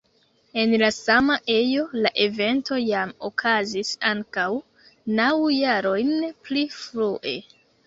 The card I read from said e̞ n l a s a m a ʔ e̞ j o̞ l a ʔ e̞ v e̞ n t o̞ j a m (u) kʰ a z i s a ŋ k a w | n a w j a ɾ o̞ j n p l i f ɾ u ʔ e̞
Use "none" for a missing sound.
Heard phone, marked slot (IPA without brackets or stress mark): o